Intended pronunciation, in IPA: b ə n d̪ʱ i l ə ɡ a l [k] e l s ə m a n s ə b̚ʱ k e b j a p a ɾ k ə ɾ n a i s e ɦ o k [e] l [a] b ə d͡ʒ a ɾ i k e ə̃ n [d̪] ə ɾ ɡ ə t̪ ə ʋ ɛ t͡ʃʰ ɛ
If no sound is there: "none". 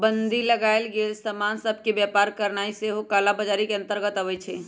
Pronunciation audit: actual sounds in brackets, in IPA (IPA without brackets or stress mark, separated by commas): ɡ, a, a, t̪